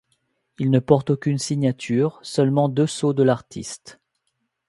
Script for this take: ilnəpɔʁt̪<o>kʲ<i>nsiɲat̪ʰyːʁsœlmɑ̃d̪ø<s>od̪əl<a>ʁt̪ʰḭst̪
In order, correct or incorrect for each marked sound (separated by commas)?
correct, incorrect, correct, correct